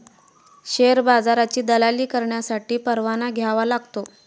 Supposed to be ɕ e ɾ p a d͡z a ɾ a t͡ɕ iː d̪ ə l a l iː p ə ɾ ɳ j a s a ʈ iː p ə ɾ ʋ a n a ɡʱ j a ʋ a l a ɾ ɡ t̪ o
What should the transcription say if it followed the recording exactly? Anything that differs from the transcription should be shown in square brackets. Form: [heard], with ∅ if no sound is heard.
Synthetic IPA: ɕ e ɾ [b] a d͡z a ɾ a t͡ɕ iː d̪ ə l a l iː [k] ə ɾ ɳ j a s a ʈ iː p ə ɾ ʋ a n a ɡʱ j a ʋ a l a [∅] ɡ t̪ o